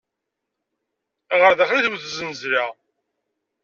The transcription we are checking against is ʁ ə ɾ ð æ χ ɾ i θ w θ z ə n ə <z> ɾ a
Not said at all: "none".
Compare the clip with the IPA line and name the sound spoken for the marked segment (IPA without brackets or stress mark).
z